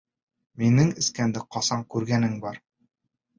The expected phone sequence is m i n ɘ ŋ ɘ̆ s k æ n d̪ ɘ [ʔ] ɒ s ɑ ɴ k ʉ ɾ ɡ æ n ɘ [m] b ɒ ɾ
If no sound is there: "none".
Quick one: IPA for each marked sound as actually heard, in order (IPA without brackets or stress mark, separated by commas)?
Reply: q, ŋ